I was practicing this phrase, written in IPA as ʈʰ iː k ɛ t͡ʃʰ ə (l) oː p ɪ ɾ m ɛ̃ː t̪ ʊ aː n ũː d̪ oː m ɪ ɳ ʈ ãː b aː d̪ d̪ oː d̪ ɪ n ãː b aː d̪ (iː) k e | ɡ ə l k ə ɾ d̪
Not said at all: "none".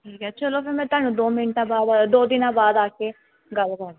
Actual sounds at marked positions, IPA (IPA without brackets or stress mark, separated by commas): l, aː